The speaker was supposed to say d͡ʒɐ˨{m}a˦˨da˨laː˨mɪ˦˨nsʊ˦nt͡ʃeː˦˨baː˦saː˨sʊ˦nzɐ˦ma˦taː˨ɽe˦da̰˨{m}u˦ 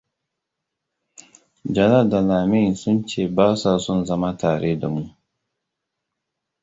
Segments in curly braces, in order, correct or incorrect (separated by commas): incorrect, correct